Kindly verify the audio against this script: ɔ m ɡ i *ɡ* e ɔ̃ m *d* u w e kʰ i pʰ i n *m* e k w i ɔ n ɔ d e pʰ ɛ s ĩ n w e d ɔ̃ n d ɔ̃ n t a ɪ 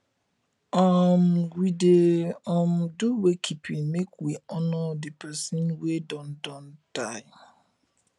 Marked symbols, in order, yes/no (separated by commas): no, yes, yes